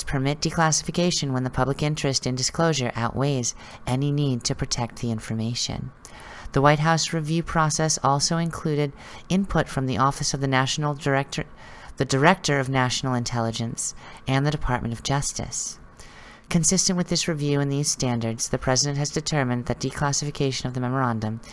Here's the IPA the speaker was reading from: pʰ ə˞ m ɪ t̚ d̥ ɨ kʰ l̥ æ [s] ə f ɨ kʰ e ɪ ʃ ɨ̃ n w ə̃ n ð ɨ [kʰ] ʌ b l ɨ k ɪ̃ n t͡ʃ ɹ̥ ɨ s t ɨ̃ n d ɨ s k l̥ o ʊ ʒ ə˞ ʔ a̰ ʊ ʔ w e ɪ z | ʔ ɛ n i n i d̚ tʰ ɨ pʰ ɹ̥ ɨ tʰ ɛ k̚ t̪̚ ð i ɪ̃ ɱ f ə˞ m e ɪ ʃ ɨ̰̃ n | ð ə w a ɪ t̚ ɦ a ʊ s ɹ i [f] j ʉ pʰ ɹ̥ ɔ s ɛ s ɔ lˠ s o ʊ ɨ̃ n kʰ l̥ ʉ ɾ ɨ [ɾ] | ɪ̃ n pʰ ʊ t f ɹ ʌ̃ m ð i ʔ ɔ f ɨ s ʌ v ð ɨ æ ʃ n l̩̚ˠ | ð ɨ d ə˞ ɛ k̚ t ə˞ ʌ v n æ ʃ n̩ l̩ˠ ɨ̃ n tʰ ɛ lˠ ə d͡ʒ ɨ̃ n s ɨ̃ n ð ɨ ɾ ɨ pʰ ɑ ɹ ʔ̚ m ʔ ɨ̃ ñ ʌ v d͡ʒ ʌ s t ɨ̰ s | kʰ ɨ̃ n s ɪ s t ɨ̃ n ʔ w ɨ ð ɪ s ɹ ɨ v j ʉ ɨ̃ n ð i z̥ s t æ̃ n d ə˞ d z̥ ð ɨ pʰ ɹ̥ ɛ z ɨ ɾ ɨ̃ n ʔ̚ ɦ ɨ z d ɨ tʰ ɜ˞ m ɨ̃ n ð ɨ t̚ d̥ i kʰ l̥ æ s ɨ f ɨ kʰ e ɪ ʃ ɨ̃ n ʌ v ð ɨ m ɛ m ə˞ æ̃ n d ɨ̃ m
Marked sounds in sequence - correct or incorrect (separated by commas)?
correct, incorrect, incorrect, correct